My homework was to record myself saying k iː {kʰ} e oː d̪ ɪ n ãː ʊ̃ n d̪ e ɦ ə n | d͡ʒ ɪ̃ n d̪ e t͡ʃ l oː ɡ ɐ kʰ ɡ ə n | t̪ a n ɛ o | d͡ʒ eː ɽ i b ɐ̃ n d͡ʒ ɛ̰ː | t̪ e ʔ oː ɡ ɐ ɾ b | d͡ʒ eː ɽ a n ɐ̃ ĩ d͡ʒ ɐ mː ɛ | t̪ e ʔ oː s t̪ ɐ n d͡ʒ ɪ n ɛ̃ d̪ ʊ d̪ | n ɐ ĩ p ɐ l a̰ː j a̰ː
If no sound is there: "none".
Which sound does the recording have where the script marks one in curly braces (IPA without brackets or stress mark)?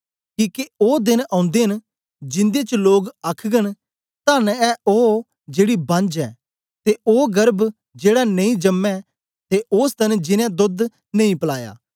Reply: k